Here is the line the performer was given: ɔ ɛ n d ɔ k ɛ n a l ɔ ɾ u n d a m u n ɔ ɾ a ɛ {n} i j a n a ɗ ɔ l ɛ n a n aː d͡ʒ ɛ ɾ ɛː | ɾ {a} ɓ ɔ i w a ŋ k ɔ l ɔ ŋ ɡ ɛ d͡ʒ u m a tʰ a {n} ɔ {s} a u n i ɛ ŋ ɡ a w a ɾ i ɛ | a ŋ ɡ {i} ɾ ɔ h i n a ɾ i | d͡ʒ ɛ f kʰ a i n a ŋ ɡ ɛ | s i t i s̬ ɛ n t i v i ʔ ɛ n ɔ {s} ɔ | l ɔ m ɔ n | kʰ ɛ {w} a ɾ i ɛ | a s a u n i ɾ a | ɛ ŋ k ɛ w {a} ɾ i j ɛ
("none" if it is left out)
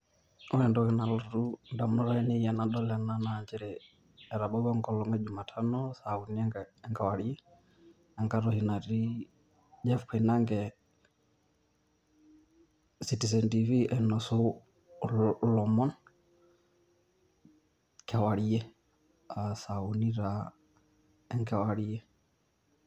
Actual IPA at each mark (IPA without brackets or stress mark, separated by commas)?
n, a, n, s, a, s, w, a